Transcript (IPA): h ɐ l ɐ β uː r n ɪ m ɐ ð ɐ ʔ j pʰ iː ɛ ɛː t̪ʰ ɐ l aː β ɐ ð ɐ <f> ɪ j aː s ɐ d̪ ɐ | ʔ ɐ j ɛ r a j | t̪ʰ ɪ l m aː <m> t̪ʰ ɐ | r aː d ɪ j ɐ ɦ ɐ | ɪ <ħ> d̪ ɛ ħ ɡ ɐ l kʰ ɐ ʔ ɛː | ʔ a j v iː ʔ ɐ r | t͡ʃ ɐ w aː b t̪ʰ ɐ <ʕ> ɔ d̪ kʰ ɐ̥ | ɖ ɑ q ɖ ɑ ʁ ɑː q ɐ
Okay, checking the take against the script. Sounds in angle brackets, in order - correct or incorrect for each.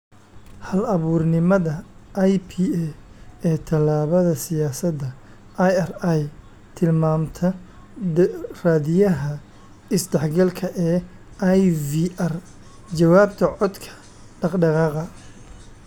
incorrect: s, correct, incorrect: s, correct

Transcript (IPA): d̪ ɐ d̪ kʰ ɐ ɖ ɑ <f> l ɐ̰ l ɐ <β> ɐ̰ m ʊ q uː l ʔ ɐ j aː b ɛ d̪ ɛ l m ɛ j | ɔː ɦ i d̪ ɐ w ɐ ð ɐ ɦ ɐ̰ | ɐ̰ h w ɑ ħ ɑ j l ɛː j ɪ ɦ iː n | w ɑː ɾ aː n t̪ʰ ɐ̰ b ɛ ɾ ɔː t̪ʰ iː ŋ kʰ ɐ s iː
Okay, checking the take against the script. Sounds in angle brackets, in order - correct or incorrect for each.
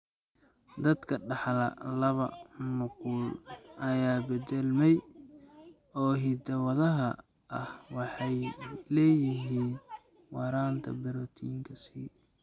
incorrect: ħ, correct

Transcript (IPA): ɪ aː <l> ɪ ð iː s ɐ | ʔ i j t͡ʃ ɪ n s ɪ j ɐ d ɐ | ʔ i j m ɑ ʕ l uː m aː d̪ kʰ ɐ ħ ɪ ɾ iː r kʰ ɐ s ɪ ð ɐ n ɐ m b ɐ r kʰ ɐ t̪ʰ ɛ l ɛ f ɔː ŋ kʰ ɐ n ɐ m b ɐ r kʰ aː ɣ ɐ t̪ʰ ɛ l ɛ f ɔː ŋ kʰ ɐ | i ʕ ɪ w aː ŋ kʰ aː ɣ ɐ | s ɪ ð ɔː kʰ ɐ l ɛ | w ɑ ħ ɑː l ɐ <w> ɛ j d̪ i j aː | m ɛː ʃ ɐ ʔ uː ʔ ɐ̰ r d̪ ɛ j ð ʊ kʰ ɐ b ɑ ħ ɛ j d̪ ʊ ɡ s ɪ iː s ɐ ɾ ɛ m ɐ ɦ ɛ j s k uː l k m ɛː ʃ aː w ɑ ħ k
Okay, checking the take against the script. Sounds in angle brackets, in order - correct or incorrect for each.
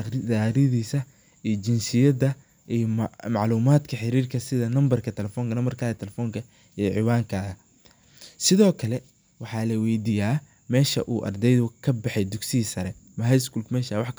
incorrect: ɾ, correct

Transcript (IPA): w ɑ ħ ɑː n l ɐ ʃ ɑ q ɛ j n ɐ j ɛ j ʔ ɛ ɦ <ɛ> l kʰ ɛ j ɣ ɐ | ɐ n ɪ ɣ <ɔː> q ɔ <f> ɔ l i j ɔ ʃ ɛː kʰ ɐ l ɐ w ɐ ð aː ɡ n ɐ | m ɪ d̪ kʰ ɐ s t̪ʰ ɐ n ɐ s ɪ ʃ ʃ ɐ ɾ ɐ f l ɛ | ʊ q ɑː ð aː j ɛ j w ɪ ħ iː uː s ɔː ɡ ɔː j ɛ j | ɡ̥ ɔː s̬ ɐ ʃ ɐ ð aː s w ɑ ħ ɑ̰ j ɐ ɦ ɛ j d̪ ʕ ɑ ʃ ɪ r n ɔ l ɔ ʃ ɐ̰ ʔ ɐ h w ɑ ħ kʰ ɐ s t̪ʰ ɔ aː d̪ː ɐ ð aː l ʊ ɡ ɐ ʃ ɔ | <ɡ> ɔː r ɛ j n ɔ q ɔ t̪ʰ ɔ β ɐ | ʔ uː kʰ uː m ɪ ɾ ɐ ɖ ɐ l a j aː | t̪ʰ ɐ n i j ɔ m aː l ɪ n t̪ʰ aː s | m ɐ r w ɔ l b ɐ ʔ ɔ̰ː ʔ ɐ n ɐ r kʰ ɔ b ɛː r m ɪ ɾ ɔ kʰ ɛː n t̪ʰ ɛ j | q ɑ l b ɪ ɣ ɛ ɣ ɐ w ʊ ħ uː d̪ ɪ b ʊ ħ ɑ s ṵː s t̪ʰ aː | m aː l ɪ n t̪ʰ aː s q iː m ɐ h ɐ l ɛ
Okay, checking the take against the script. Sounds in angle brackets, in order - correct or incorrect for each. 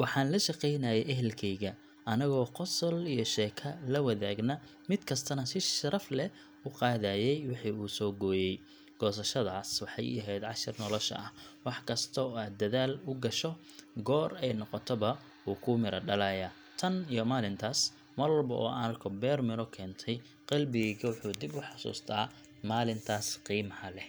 correct, correct, incorrect: s, correct

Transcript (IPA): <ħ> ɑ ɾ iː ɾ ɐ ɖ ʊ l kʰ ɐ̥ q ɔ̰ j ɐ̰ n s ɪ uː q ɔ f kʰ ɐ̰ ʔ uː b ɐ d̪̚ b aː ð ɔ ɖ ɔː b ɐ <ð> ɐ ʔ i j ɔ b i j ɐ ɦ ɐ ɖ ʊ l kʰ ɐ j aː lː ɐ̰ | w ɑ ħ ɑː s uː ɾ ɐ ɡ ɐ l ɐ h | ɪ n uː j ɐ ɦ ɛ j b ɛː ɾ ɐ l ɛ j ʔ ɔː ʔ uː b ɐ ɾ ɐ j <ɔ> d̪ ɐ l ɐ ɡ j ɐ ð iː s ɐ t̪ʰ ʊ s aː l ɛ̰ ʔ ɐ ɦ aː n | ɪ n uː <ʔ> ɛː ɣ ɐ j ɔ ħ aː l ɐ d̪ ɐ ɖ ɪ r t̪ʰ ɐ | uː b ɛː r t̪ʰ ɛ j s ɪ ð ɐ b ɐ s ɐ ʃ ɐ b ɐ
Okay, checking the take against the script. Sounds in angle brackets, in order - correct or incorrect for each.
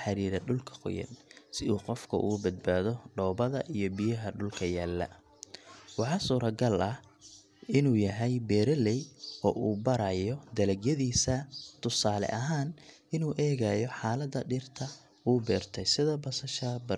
correct, correct, correct, correct

